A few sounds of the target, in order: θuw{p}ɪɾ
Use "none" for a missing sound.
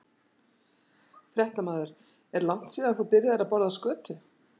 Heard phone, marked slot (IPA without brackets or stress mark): p